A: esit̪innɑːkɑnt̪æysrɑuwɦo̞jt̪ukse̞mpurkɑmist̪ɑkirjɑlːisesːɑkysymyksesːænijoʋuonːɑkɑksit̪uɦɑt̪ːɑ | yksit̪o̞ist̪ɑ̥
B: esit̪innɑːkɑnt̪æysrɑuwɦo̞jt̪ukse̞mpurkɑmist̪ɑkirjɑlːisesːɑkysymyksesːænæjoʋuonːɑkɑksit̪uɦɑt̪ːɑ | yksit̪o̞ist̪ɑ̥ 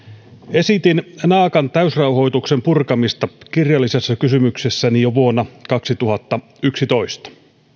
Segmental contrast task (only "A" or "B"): A